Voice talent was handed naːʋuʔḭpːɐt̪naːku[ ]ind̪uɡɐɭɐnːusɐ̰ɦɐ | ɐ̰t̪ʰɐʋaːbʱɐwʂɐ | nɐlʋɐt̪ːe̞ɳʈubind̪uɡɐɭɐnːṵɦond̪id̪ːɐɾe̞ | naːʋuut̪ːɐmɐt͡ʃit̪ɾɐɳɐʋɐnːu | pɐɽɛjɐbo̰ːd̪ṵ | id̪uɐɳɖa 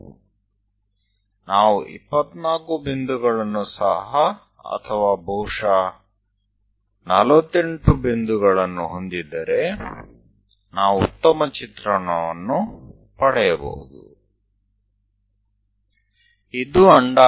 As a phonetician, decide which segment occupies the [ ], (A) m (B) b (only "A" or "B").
B